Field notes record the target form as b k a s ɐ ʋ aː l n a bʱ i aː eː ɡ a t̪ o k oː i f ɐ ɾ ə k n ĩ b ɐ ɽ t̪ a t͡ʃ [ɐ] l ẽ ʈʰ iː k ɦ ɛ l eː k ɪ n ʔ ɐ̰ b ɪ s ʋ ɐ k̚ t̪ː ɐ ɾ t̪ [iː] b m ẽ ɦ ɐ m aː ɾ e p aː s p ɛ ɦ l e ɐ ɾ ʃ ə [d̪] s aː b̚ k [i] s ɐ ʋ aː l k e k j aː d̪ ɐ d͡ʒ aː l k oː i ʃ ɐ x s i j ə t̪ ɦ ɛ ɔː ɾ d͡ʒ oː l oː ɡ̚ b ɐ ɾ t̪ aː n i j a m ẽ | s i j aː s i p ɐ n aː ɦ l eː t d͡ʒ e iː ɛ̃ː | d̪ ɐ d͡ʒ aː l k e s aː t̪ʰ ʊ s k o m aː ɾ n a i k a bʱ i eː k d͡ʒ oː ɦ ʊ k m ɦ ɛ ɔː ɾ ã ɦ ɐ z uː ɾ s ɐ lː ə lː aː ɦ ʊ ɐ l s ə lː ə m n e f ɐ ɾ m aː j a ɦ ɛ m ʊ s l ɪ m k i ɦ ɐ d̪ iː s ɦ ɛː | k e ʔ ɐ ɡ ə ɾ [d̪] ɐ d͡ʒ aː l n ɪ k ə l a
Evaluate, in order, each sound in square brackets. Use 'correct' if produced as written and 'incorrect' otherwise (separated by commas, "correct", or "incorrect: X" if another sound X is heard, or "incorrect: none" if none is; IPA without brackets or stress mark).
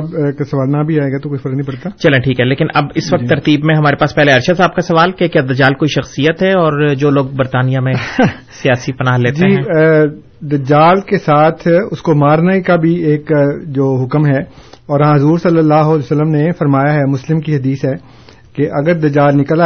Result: correct, correct, correct, incorrect: a, correct